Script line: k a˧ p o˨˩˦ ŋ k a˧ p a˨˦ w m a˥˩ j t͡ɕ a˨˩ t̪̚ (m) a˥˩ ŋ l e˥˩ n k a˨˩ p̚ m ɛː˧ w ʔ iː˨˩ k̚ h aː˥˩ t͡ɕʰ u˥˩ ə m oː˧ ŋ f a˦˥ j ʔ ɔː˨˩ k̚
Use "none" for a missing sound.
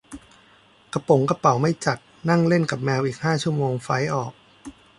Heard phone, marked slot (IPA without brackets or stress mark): n